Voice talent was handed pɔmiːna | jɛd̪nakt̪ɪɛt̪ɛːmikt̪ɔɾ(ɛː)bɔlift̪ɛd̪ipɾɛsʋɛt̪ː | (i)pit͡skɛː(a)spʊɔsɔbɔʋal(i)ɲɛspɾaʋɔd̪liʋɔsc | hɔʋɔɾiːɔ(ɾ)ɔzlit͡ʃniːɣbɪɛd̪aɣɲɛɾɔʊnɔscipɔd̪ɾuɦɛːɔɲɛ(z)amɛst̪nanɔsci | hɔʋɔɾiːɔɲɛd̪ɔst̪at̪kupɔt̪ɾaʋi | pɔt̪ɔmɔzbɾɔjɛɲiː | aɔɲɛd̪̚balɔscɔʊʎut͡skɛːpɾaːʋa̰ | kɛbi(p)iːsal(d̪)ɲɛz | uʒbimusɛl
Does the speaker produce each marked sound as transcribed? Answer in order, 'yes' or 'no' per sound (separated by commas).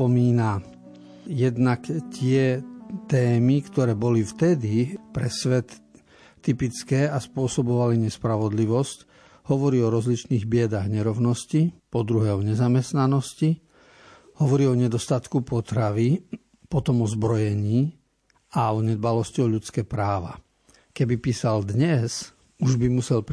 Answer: yes, yes, yes, yes, yes, yes, yes, yes